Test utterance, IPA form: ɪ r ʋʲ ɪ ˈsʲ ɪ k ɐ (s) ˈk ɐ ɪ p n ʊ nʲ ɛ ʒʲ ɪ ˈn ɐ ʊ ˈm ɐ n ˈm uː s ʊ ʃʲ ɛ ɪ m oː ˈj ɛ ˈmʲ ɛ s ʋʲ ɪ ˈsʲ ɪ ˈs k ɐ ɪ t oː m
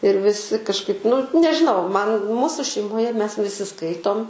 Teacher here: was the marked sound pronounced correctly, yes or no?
no